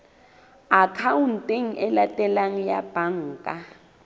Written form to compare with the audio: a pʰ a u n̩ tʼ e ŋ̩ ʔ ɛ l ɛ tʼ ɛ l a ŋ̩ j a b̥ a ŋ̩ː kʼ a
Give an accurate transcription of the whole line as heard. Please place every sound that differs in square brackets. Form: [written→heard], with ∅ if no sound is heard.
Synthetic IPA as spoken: a [pʰ→kʰ] a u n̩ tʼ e ŋ̩ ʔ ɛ l [ɛ→a] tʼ ɛ l a ŋ̩ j a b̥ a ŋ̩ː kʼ a